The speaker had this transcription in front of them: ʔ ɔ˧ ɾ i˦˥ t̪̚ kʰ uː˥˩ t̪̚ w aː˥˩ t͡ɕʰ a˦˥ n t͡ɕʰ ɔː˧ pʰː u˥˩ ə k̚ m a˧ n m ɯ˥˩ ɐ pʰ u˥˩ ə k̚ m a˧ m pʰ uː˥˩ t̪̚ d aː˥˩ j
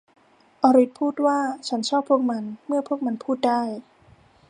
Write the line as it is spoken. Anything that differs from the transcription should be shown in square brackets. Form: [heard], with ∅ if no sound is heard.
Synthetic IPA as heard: ʔ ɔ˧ ɾ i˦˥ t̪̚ [pʰ] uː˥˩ t̪̚ w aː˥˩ t͡ɕʰ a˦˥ n t͡ɕʰ [ɔː˥˩] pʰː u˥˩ ə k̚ m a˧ n m ɯ˥˩ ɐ pʰ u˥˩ ə k̚ m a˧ [n] pʰ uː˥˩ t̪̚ d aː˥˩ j